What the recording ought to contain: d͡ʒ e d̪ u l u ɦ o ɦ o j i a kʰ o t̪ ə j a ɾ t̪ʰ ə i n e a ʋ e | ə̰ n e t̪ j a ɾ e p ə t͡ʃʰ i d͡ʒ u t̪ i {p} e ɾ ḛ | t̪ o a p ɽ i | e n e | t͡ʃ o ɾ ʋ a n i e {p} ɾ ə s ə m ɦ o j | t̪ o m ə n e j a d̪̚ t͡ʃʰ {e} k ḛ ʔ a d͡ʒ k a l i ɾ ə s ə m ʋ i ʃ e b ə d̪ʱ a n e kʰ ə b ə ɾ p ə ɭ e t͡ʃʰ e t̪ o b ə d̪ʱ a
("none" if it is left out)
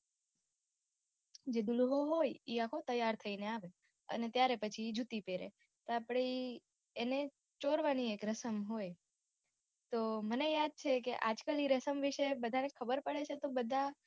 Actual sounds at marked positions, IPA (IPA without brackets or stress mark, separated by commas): p, k, e